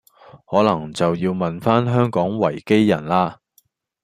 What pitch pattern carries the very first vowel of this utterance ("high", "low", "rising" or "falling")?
rising